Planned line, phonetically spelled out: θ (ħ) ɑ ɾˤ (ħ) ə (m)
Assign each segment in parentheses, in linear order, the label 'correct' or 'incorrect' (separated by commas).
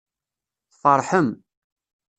incorrect, correct, correct